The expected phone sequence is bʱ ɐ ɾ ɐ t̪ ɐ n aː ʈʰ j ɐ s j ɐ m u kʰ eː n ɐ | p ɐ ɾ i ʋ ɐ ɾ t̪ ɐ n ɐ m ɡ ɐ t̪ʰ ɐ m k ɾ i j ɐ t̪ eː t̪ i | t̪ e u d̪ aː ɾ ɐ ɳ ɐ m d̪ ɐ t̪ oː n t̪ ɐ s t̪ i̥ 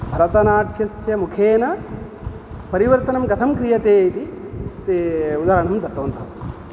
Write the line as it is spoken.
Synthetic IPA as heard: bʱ ɐ ɾ ɐ t̪ ɐ n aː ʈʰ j ɐ s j ɐ m u kʰ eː n ɐ | p ɐ ɾ i ʋ ɐ ɾ t̪ ɐ n ɐ m ɡ ɐ t̪ʰ ɐ m k ɾ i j ɐ t̪ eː t̪ i | t̪ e u d̪ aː ɾ ɐ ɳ ɐ m d̪ ɐ t̪ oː n t̪ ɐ s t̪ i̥